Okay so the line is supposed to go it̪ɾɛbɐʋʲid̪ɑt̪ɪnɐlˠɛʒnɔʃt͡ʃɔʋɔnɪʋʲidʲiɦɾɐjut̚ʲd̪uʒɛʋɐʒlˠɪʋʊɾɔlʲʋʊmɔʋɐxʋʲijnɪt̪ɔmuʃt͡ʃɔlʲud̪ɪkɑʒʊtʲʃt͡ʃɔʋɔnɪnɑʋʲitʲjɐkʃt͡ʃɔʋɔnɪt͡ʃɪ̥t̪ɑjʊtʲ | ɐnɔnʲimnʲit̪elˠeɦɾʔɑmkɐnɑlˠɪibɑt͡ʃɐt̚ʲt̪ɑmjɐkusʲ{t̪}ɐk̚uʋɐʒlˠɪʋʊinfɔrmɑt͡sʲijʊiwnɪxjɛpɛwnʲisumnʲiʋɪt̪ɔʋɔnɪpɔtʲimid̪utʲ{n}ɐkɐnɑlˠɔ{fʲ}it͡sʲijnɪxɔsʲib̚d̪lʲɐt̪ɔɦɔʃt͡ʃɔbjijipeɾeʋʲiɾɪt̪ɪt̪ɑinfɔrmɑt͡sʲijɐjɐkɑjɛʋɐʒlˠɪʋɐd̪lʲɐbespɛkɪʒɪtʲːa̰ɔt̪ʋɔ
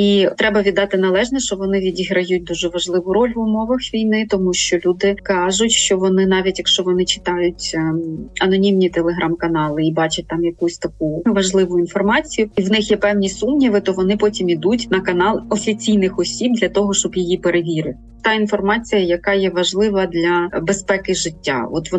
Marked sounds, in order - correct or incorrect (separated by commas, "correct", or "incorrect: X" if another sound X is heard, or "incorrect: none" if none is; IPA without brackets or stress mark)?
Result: correct, correct, correct